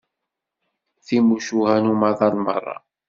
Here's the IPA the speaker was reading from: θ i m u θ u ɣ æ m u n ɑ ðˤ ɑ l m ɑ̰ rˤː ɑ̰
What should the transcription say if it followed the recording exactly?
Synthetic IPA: θ i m u ʃ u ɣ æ n u m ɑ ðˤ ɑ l m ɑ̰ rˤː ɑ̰

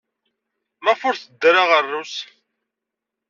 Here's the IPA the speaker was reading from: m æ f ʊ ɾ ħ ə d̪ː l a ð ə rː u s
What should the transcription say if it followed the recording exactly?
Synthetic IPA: m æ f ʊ ɾ θ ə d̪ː ɾ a ʁ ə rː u s

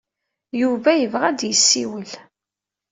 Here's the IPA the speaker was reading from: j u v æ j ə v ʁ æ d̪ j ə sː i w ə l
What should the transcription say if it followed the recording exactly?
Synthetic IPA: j u v æ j ə v ʁ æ d̪ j ə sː i w ə l

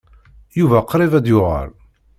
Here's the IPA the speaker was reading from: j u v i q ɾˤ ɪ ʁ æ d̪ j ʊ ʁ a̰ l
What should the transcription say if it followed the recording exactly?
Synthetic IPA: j u v æ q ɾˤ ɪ v æ d̪ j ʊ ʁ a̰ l

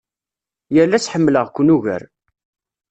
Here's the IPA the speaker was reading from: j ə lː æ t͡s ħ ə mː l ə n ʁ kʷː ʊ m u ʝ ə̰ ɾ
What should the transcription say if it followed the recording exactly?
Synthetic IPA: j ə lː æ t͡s ħ ə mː l ə ʁ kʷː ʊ n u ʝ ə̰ ɾ

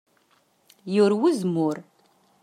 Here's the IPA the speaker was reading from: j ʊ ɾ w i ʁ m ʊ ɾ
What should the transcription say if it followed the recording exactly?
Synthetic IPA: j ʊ ɾ w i z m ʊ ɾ

